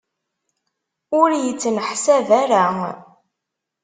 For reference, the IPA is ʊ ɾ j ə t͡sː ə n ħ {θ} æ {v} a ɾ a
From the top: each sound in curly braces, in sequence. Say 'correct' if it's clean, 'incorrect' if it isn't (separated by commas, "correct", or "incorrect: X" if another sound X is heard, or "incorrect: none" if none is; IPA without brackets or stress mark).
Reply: incorrect: s, correct